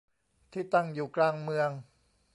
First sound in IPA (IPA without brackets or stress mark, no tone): t̪ʰ